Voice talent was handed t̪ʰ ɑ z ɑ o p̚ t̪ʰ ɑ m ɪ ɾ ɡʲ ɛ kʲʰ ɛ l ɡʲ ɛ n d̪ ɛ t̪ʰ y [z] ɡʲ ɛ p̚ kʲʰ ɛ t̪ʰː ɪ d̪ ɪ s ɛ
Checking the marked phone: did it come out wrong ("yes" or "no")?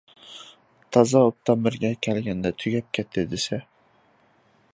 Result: yes